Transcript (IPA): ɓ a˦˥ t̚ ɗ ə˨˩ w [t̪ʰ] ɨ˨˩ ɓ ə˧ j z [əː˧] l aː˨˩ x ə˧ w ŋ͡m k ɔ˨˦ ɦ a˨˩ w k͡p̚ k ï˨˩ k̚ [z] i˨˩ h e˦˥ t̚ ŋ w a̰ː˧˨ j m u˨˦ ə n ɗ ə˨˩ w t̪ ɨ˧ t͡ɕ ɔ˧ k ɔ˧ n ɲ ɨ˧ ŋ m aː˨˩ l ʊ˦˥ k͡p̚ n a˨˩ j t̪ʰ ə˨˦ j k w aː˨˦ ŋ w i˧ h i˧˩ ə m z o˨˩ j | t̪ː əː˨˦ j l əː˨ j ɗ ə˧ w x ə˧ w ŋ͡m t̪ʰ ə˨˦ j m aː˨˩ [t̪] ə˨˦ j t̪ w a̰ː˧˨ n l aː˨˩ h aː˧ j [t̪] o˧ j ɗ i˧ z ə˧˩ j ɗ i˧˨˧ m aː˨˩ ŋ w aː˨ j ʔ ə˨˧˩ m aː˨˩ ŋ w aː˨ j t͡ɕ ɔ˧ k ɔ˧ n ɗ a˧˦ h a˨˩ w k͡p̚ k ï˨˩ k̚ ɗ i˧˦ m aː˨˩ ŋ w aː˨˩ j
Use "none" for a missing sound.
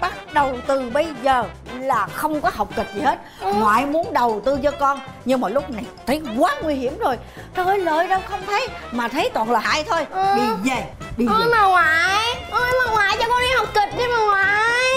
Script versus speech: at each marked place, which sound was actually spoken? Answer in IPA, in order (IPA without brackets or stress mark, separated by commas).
t̪, əː˨˩, z, t̪ʰ, t̪ʰ